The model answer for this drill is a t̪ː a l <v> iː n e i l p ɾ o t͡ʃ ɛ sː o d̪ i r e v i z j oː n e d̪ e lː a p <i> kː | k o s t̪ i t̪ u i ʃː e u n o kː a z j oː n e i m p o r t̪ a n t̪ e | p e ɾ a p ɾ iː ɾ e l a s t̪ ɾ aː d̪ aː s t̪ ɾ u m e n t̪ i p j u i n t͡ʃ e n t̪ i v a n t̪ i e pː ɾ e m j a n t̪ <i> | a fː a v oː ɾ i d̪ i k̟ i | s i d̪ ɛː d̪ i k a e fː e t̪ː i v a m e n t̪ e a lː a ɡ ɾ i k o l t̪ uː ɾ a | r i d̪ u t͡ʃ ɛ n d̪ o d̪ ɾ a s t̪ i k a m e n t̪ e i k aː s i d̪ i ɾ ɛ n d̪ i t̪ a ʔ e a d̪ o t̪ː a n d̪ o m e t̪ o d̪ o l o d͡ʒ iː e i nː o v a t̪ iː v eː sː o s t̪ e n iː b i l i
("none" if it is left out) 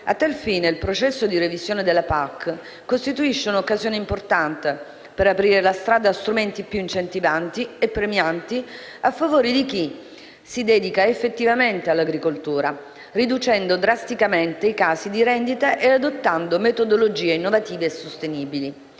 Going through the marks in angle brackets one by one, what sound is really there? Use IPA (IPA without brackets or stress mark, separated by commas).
f, a, i